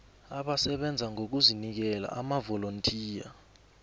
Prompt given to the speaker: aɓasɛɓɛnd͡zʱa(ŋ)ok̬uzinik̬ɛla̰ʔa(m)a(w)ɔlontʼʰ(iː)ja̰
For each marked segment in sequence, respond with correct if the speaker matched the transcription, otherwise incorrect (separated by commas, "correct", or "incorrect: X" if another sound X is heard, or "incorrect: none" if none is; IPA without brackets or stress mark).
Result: correct, correct, incorrect: v, correct